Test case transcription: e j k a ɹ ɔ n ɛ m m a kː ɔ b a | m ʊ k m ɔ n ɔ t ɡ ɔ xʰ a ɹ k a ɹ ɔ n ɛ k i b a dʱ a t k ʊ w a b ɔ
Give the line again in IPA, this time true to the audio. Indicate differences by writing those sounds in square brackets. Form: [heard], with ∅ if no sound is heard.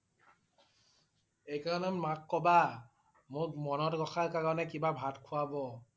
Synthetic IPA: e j k a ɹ ɔ n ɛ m m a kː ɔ b a | m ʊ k m ɔ n ɔ t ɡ ɔ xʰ a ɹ k a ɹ ɔ n ɛ k i b a [bʱ] a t [kʰ] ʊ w a b ɔ